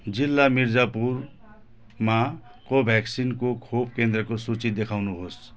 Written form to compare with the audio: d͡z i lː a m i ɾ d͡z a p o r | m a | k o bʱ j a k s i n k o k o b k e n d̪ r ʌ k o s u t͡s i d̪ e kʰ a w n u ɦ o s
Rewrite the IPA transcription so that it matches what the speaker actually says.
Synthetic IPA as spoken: d͡z i lː a m i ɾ d͡z a p u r | m a | k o bʱ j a k s i n k o kʰ o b k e n d̪ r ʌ k o s u t͡s i d̪ e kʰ a w n u ɦ o s